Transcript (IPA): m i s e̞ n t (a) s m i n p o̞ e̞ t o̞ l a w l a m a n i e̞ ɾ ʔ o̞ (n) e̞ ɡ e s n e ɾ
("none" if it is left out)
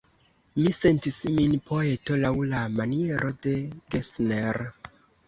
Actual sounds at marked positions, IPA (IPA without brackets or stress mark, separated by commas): i, d